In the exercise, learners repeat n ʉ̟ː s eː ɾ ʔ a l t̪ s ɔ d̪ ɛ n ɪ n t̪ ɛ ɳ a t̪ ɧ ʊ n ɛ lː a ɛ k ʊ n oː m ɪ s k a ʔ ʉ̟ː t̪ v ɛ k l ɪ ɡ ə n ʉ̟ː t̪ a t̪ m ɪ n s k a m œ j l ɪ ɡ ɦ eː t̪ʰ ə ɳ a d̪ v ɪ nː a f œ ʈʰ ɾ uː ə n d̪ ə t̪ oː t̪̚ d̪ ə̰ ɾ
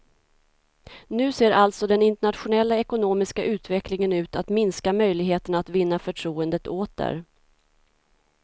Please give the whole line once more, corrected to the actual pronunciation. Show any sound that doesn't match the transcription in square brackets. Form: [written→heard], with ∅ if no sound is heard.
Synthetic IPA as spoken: n ʉ̟ː s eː ɾ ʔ a l t̪ s ɔ d̪ ɛ n ɪ n t̪ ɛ ɳ a t̪ ɧ ʊ n ɛ lː a ɛ k ʊ n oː m ɪ s k a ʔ ʉ̟ː t̪ v ɛ k l ɪ [ɡ→ŋ] ə n ʉ̟ː t̪ a t̪ m ɪ n s k a m œ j l ɪ ɡ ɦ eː [t̪ʰ→t̪] ə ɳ a [d̪→t̪] v ɪ nː a f œ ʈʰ ɾ uː ə n d̪ ə t̪ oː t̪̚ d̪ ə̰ ɾ